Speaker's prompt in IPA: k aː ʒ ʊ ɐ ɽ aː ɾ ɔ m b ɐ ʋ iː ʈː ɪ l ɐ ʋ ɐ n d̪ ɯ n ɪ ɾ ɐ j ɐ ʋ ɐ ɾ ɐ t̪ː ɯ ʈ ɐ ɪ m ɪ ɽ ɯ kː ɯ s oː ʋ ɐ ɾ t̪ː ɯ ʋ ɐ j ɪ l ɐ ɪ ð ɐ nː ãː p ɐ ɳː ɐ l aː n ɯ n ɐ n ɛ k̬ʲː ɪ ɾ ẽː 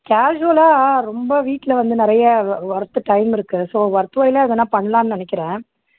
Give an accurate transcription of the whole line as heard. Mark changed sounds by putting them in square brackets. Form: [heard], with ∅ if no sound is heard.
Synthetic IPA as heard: k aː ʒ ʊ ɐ [l] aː ɾ ɔ m b ɐ ʋ iː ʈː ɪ l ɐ ʋ ɐ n d̪ ɯ n ɪ ɾ ɐ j ɐ ʋ ɐ ɾ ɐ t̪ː ɯ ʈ ɐ ɪ m ɪ [ɾ] ɯ kː ɯ s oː ʋ ɐ ɾ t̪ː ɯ ʋ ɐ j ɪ l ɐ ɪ ð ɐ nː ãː p ɐ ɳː ɐ l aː n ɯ n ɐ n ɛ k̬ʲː ɪ ɾ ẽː